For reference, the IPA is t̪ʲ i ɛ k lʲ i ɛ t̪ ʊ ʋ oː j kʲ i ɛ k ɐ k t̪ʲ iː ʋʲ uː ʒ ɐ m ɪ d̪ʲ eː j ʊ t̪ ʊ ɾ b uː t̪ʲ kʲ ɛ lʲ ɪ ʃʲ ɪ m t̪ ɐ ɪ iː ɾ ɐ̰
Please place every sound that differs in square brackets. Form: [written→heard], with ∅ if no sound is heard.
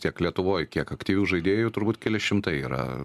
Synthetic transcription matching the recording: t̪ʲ i ɛ k lʲ i ɛ t̪ ʊ ʋ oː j kʲ i ɛ k ɐ k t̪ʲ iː ʋʲ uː ʒ ɐ [m→∅] ɪ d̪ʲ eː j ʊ t̪ ʊ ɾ b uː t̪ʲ kʲ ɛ lʲ ɪ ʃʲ ɪ m t̪ ɐ ɪ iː ɾ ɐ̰